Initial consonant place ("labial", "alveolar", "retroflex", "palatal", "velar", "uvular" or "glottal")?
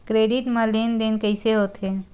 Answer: velar